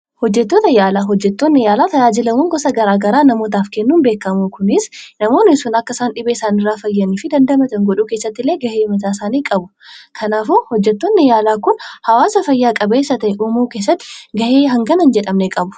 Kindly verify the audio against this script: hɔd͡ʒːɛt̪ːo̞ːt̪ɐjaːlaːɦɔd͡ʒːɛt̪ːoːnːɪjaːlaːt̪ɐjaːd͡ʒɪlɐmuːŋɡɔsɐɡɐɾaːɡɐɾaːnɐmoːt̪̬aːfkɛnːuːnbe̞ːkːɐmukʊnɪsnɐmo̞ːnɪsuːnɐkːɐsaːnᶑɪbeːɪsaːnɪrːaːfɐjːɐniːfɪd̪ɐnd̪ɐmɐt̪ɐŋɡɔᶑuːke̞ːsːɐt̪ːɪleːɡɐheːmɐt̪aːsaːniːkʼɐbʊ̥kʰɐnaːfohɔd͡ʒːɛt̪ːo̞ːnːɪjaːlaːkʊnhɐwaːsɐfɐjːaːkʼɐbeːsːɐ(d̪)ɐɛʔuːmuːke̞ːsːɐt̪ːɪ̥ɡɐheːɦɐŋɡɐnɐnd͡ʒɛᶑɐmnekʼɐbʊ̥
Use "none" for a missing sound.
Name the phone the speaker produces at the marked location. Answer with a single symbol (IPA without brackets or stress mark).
t̪